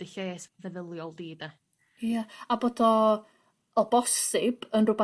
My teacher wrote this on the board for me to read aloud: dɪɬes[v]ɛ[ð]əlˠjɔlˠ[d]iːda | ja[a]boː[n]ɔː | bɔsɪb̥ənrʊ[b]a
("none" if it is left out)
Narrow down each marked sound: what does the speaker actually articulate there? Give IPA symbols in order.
v, ð, d, a, d, b

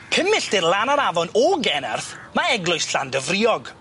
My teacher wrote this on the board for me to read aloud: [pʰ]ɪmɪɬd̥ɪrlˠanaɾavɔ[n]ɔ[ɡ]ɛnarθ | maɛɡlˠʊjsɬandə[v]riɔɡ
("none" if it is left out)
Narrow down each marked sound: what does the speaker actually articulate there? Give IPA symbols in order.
pʰ, n, ɡ, v

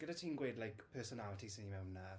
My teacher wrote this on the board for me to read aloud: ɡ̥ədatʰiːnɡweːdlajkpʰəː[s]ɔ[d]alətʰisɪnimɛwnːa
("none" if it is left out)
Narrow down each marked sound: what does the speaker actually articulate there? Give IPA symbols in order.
s, n

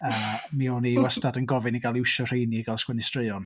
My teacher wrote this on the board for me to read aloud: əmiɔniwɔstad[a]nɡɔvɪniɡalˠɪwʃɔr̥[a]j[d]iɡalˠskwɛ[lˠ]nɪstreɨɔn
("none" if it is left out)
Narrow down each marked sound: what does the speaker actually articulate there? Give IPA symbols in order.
ə, e, n, none

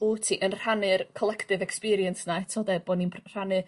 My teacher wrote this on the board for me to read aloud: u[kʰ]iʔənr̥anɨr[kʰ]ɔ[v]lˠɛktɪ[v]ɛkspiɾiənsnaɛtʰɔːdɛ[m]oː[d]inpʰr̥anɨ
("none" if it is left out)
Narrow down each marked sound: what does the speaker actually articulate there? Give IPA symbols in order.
tʰ, kʰ, none, v, b, n

